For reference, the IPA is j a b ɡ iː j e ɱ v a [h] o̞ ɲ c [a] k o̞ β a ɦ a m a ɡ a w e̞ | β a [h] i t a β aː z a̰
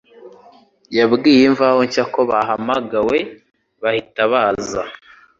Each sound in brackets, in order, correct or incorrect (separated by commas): correct, correct, correct